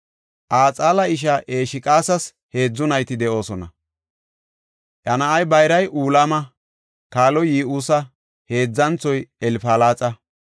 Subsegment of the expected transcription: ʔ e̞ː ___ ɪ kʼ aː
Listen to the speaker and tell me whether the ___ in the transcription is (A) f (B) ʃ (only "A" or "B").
B